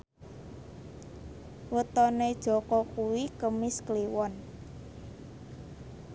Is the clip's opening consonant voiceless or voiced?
voiced